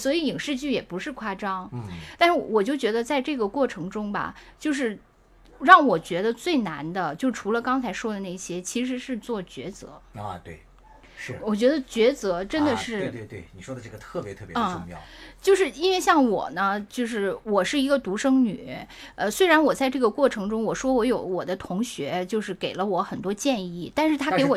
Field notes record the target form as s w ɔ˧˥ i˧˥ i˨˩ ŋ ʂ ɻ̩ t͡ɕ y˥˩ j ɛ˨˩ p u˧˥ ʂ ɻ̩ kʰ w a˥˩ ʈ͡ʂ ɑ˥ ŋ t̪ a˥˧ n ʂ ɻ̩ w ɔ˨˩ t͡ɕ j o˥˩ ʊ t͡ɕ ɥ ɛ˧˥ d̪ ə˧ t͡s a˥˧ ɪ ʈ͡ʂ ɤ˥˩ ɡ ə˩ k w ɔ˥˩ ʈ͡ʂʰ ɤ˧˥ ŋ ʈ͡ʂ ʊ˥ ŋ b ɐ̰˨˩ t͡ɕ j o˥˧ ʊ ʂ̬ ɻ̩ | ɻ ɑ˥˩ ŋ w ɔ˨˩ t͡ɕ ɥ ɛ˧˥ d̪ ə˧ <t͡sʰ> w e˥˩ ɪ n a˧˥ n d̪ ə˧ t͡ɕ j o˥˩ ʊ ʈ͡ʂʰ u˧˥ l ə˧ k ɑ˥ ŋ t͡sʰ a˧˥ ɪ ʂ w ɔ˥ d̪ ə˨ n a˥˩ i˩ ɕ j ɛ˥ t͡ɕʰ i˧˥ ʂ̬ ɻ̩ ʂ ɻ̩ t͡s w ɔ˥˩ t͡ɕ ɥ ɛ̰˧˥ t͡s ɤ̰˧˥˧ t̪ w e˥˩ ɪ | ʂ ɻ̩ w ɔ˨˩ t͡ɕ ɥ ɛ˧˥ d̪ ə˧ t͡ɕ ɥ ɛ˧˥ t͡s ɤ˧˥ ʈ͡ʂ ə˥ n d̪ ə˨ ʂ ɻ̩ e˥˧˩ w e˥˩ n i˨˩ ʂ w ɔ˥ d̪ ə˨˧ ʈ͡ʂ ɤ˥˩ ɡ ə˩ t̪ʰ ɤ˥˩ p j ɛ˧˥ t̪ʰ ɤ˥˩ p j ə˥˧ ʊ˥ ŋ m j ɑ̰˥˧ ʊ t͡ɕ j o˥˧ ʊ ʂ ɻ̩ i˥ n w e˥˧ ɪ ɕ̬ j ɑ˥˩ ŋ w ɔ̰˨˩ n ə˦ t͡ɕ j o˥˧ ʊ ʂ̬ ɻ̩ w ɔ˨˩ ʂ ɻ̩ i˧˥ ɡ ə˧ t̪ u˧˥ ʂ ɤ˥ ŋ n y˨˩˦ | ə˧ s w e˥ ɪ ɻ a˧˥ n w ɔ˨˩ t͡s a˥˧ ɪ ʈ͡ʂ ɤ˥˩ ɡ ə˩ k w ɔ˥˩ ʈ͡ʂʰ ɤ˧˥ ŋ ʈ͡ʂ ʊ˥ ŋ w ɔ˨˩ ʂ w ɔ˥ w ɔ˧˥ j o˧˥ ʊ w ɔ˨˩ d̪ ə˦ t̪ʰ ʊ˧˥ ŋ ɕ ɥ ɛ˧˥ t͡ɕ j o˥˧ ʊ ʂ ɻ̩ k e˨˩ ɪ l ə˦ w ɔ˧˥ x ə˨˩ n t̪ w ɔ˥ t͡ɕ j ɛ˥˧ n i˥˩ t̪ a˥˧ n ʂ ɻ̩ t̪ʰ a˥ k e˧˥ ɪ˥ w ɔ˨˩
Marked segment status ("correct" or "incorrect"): incorrect